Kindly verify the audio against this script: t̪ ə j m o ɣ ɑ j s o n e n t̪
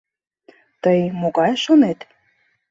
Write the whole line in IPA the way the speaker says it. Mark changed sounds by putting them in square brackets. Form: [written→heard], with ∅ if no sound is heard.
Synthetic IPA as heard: t̪ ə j m o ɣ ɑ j [s→ʃ] o n e [n→∅] t̪